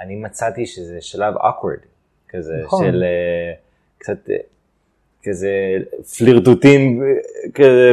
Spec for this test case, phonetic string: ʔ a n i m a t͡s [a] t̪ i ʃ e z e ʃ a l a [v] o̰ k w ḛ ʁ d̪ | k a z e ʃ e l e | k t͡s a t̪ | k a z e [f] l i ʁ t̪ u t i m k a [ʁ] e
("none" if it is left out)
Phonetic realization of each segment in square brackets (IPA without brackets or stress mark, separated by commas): a, v, f, z